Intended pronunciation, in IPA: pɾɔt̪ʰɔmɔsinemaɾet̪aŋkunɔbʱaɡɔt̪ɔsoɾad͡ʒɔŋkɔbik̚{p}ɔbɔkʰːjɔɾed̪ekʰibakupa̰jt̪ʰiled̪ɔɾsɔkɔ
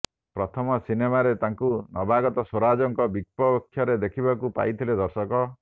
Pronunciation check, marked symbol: correct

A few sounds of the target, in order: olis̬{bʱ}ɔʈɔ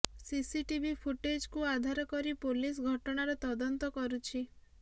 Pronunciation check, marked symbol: incorrect: ɡʱ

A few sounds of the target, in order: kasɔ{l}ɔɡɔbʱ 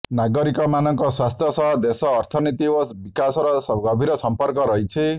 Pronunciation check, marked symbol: incorrect: ɾ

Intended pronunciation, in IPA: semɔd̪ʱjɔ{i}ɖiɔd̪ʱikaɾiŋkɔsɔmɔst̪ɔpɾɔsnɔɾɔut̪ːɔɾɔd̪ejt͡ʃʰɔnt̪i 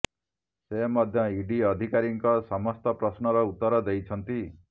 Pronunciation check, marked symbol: correct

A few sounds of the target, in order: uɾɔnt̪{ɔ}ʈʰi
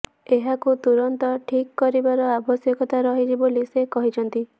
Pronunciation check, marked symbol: correct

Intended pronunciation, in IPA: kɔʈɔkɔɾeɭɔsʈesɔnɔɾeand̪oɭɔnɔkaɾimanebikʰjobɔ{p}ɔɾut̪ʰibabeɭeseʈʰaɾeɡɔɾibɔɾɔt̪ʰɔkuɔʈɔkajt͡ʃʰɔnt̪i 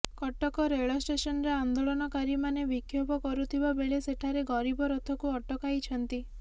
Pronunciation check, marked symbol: incorrect: k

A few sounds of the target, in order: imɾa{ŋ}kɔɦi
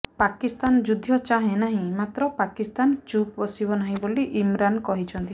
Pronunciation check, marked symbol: incorrect: n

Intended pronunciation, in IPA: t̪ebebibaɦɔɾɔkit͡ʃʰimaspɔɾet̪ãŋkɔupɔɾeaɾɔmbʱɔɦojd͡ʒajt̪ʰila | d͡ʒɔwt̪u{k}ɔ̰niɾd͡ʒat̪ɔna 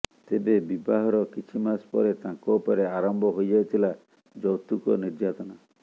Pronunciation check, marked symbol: correct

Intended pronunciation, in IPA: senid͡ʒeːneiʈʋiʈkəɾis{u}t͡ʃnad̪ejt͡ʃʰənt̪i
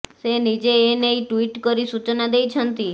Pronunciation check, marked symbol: correct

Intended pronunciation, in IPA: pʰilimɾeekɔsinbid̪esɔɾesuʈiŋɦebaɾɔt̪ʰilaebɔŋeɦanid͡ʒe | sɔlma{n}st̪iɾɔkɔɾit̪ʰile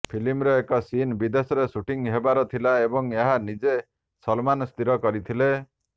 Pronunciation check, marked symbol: correct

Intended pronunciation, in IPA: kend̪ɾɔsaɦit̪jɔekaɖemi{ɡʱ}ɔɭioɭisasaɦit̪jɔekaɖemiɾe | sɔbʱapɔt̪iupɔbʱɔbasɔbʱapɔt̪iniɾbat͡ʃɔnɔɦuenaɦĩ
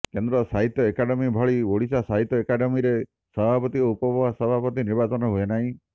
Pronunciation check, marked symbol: incorrect: bʱ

